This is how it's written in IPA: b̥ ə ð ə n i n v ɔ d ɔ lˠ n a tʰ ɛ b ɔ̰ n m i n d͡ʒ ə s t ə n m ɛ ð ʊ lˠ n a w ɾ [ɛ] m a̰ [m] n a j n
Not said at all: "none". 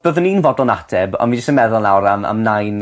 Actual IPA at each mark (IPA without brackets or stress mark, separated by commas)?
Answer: a, m